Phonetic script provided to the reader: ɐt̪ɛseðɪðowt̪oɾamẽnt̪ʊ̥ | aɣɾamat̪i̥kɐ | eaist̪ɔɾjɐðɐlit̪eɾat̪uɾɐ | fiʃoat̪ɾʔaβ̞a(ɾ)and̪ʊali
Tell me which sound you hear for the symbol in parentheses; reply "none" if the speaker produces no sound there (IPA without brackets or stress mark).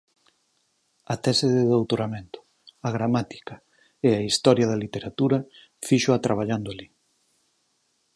ʎ